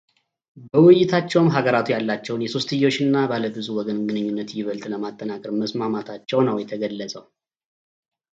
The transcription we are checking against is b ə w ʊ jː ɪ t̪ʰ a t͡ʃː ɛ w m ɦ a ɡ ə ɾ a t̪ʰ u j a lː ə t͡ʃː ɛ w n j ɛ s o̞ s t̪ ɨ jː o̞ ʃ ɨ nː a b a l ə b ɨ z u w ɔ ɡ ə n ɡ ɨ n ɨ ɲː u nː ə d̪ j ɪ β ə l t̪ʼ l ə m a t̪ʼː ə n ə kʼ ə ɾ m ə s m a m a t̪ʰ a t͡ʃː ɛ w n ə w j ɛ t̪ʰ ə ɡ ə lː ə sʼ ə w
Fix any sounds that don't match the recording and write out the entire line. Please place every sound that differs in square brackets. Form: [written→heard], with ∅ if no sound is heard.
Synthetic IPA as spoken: b ə w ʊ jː ɪ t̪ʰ a t͡ʃː ɛ w m ɦ a ɡ ə ɾ a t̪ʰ u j a lː [ə→a] t͡ʃː ɛ w n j ɛ s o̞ s t̪ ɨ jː o̞ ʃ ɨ nː a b a l ə b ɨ z u w ɔ ɡ ə n ɡ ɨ n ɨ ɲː u nː ə [d̪→t̪] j ɪ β ə l t̪ʼ l ə m a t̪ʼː ə n [ə→a] kʼ ə ɾ m ə s m a m a t̪ʰ a t͡ʃː ɛ w n ə w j ɛ t̪ʰ ə ɡ ə lː ə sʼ ə w